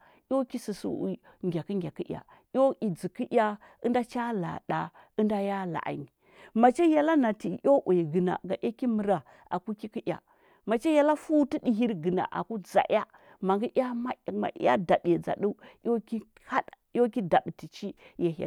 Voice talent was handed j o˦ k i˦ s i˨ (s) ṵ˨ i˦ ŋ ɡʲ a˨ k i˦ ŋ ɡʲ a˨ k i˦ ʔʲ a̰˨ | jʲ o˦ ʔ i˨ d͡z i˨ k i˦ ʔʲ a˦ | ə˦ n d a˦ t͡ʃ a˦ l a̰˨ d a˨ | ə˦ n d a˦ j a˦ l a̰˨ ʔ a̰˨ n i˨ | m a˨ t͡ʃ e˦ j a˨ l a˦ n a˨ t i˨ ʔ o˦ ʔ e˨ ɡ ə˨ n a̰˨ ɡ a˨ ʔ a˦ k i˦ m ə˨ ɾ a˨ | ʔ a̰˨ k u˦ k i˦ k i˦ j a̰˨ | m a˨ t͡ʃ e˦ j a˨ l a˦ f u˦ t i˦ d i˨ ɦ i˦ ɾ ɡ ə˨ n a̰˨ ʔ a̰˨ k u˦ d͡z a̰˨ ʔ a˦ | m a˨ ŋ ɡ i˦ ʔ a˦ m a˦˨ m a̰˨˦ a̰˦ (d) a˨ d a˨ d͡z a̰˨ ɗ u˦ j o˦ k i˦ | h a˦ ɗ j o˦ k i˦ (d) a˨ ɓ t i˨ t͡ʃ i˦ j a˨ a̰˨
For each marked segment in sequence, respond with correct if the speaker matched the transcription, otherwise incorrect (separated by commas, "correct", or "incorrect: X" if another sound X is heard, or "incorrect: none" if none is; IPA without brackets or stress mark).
correct, correct, correct